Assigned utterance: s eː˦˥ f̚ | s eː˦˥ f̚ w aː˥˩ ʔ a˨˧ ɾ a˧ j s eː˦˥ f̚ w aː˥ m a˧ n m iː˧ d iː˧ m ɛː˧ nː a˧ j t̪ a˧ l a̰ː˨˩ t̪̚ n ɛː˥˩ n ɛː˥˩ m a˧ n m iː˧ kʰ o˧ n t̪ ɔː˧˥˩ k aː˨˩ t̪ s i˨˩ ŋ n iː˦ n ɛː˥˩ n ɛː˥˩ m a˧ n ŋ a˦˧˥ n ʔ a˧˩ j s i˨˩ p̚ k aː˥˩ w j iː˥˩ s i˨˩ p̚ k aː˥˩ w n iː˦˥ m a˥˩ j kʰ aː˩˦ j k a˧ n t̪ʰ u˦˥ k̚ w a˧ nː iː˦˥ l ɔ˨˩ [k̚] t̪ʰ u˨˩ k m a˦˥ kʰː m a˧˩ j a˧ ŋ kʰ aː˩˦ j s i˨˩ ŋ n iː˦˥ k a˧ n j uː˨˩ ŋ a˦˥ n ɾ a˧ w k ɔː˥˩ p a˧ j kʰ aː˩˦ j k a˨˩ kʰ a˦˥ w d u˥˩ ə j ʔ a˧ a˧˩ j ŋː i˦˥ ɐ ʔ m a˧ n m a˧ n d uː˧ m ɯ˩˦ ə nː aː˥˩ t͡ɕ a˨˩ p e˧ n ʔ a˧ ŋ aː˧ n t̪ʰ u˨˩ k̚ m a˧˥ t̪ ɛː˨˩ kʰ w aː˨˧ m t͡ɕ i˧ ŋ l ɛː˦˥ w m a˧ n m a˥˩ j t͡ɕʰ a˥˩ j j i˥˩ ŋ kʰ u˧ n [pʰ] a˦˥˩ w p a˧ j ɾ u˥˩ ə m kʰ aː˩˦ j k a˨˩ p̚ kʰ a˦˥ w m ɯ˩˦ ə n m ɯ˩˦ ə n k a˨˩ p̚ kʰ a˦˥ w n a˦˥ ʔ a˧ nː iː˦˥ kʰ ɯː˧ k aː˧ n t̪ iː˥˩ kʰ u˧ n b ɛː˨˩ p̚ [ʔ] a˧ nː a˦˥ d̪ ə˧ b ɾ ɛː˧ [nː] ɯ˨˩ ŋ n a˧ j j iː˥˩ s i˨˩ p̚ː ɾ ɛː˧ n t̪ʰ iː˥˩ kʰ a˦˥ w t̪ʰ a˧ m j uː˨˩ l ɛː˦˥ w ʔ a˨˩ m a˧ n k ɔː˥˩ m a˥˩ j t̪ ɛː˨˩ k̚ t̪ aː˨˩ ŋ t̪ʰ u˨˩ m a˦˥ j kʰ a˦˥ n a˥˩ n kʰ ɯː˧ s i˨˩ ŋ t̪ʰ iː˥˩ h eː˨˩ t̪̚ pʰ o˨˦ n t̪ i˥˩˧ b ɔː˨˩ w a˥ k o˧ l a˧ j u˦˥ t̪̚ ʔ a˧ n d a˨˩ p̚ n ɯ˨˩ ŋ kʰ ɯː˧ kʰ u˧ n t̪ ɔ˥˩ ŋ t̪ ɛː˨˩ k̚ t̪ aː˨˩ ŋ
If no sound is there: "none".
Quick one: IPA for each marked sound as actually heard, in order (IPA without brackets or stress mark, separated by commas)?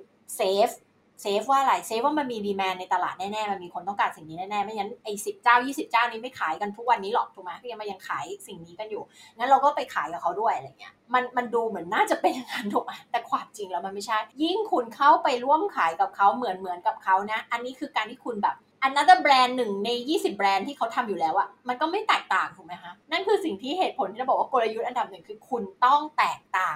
k̚, kʰ, ʔ, nː